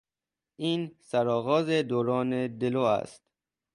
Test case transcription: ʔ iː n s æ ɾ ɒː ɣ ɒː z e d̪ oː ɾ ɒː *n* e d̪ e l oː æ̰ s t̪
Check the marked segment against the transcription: correct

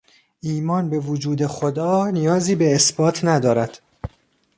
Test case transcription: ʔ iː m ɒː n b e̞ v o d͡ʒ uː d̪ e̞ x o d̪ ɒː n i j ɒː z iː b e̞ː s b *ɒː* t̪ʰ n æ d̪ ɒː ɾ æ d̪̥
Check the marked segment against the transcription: correct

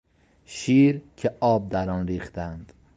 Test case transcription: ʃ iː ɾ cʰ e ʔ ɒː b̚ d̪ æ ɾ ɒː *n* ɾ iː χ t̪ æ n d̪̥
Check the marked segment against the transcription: correct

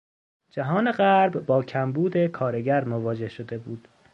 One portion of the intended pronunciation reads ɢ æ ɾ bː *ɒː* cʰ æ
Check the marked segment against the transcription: correct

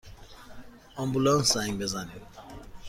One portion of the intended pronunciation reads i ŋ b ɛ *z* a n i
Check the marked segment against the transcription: correct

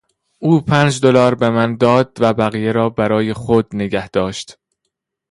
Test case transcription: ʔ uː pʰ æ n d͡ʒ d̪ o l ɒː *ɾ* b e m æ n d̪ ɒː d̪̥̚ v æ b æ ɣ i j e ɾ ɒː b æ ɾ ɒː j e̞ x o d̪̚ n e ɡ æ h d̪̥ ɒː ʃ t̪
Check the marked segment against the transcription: correct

